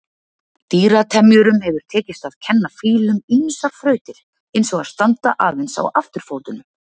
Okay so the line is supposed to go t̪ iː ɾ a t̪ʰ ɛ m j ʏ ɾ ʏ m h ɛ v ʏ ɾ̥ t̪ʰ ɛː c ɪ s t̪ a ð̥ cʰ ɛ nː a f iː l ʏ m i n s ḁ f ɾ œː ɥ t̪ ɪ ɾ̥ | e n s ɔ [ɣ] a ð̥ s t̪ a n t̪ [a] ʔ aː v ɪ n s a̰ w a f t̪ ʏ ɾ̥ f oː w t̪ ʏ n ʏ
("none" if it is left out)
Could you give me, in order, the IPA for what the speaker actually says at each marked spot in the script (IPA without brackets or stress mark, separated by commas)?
ɣ, a